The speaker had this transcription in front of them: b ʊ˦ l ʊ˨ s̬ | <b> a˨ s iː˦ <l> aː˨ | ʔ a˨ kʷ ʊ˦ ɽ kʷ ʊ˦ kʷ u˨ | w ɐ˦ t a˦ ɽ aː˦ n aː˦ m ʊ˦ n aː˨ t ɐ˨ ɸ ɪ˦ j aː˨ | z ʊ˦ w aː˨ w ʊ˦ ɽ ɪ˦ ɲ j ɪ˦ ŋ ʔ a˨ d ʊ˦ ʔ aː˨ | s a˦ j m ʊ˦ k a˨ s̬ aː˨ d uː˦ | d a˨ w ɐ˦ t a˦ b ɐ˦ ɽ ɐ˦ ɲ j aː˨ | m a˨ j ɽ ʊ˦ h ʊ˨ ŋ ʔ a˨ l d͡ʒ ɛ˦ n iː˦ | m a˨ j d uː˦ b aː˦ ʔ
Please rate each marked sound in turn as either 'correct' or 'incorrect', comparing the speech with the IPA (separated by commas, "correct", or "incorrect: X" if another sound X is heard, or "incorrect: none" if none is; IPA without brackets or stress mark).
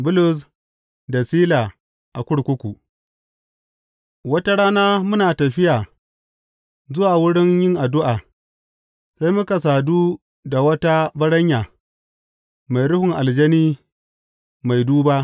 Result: incorrect: d, correct